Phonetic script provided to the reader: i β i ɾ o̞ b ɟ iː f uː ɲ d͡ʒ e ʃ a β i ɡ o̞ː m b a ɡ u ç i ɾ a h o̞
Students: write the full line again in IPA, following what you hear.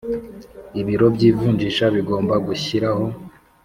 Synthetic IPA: i β i ɾ o̞ b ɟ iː v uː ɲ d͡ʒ i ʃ a β i ɡ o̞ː m b a ɡ u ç i ɾ a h o̞

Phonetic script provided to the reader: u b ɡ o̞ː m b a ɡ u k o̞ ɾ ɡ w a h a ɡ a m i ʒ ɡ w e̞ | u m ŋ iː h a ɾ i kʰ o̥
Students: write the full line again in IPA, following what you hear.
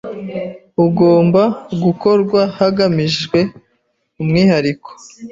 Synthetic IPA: u ɡ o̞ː m b a ɡ u k o̞ ɾ ɡ w a h a ɡ a m i ʒ ɡ w e̞ | u m ŋ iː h a ɾ i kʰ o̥

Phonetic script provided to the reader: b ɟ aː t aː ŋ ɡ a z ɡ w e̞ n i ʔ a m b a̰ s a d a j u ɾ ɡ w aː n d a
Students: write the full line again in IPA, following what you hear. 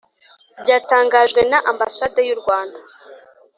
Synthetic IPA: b ɟ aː t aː ŋ ɡ a ʒ ɡ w e̞ n a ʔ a m b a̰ s a d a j u ɾ ɡ w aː n d a

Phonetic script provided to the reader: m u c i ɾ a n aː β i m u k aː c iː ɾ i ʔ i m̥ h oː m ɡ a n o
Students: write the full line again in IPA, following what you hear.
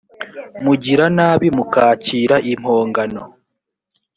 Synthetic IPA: m u ɟ i ɾ a n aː β i m u k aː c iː ɾ a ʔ i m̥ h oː ŋ ɡ a n o

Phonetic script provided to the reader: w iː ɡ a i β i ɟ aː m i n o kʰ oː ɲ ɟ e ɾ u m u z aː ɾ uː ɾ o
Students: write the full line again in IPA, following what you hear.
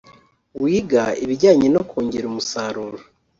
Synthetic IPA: w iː ɡ a i β i ɟ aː ɲ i n o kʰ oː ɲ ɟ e ɾ u m u s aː ɾ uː ɾ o

